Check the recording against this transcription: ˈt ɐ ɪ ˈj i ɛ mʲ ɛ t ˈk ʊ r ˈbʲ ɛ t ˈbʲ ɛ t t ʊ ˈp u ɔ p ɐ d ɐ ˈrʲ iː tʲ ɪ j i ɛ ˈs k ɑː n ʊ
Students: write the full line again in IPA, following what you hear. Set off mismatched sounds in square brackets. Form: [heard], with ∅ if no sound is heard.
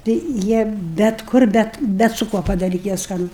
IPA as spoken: ˈt ɐ ɪ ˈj i ɛ [bʲ] ɛ t ˈk ʊ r ˈbʲ ɛ t ˈbʲ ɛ t [s] ʊ [ˈk] u ɔ p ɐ d ɐ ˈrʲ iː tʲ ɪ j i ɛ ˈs k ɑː n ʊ